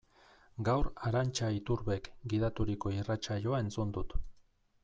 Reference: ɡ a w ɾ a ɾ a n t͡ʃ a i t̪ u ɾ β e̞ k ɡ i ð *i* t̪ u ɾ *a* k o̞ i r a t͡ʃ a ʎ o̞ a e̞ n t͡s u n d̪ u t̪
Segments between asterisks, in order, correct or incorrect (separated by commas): incorrect, incorrect